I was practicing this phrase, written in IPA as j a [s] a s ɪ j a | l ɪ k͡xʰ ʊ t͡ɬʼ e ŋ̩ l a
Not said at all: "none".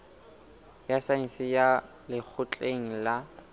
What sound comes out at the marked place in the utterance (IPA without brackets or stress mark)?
s